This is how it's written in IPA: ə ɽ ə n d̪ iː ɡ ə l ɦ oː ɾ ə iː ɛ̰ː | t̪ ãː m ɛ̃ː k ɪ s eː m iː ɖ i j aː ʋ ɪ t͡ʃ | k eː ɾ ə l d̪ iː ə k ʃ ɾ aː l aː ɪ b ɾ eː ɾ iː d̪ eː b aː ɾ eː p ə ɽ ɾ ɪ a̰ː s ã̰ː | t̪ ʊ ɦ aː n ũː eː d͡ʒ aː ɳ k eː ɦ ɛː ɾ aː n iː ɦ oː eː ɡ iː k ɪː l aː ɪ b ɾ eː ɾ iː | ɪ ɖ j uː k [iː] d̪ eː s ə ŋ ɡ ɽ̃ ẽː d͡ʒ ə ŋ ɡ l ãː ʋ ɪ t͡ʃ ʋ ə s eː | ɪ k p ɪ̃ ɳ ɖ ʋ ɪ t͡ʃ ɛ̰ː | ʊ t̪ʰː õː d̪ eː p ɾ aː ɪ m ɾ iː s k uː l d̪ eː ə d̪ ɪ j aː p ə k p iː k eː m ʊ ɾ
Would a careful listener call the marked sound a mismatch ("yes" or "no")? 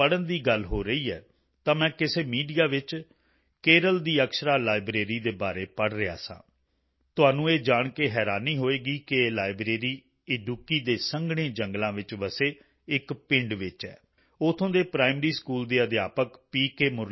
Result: no